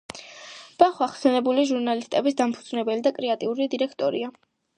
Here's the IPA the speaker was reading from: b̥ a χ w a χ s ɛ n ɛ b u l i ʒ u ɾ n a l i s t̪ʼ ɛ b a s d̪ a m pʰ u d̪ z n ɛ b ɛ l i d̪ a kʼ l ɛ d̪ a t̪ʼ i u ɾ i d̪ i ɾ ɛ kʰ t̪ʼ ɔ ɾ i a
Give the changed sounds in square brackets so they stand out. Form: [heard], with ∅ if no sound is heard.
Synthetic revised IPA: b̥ a χ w a χ s ɛ n ɛ b u l i ʒ u ɾ n a l i s t̪ʼ ɛ b [i] s d̪ a m pʰ u d̪ z n ɛ b ɛ l i d̪ a kʼ [ɾ] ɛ [∅] a t̪ʼ i u ɾ i d̪ i ɾ ɛ kʰ t̪ʼ ɔ ɾ i a